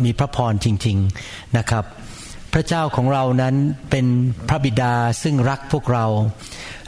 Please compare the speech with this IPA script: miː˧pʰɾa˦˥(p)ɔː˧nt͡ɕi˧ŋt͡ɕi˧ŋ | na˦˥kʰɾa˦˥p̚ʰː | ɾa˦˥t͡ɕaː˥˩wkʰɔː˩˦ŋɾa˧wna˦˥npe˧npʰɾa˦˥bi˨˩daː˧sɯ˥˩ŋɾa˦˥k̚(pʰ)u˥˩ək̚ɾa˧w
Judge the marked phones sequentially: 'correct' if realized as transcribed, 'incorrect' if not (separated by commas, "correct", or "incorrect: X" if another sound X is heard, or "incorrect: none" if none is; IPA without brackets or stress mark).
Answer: incorrect: pʰ, correct